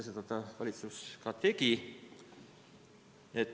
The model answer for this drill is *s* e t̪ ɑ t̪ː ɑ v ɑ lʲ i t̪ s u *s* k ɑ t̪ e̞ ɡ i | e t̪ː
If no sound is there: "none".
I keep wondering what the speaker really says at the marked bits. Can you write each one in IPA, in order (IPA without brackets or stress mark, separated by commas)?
s, s